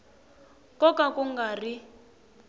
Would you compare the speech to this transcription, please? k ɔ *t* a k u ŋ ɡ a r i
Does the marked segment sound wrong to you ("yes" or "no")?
yes